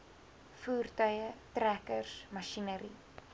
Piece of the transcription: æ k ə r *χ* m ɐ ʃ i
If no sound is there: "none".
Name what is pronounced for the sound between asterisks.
s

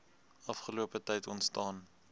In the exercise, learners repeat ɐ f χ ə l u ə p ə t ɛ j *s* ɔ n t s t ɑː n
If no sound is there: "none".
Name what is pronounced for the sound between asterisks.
t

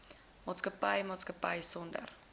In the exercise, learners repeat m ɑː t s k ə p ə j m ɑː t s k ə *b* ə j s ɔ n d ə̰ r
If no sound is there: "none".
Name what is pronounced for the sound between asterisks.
p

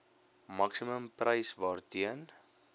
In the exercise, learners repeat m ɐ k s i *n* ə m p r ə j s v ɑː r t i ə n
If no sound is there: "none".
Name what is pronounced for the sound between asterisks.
m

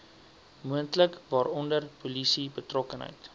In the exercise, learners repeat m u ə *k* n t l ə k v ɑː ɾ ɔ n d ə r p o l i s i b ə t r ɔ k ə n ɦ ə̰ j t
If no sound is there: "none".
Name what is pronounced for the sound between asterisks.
none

